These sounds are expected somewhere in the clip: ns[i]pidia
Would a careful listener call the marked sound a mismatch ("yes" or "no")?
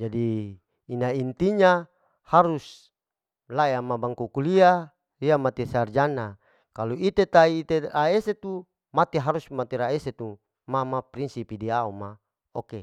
no